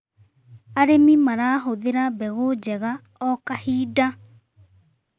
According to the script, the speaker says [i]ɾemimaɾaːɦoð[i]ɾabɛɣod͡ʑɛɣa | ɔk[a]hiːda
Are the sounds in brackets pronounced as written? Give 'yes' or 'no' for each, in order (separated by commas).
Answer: no, no, yes